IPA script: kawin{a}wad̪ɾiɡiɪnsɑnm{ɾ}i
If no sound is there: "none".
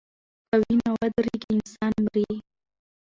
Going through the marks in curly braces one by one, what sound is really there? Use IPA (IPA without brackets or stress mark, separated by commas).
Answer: a, ɾ